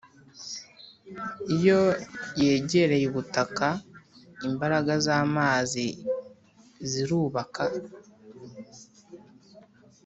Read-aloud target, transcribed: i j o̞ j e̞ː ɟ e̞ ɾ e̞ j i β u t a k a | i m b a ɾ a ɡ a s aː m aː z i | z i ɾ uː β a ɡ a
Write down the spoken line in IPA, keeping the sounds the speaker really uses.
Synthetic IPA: i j o̞ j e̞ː ɟ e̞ ɾ e̞ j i β u t a k a | i m b a ɾ a ɡ a z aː m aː z i | z i ɾ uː β a k a